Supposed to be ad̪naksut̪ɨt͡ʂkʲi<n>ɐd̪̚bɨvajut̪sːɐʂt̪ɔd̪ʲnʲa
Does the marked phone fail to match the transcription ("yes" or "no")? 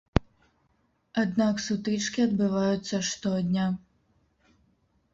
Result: yes